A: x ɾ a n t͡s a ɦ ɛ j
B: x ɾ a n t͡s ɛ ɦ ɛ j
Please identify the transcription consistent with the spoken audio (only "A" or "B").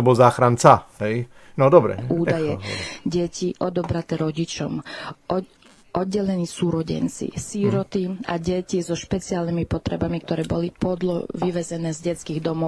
A